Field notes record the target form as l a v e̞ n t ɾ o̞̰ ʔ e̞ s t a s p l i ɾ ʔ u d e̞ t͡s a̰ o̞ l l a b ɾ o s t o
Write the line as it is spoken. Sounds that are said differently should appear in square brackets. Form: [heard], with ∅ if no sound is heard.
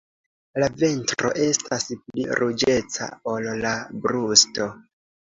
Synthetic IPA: l a v e̞ n t ɾ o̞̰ ʔ e̞ s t a s p l i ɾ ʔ u [d͡ʒ] e̞ t͡s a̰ o̞ l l a b ɾ [u] s t o